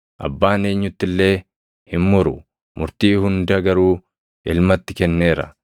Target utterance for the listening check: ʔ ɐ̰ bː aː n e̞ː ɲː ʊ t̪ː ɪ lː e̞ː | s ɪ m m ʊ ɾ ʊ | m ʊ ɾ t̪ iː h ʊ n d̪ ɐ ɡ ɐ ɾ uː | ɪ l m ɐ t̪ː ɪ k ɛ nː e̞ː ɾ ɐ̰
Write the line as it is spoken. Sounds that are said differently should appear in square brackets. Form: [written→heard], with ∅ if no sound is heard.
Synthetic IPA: ʔ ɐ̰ bː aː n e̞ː ɲː ʊ t̪ː ɪ lː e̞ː | [s→h] ɪ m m ʊ ɾ ʊ | m ʊ ɾ t̪ iː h ʊ n d̪ ɐ ɡ ɐ ɾ uː | ɪ l m ɐ t̪ː ɪ k ɛ nː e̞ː ɾ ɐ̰